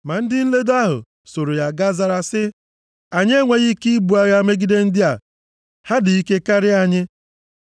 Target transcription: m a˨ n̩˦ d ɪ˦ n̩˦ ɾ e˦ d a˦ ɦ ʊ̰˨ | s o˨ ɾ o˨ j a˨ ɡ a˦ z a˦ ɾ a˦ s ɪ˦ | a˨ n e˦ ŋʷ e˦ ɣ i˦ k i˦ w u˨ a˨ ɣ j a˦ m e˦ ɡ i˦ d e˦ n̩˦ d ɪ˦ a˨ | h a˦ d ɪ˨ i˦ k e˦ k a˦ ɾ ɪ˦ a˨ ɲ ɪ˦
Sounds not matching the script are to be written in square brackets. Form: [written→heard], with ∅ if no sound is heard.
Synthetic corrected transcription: m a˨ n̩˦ d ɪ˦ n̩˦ [ɾ→l] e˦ d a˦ ɦ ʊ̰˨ | s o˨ ɾ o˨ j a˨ ɡ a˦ z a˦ ɾ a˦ s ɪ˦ | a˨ [n→ɲ] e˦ ŋʷ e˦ ɣ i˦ k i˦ [w→b] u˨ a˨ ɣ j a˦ m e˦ ɡ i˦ d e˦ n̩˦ d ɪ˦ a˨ | h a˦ d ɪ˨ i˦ k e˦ k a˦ ɾ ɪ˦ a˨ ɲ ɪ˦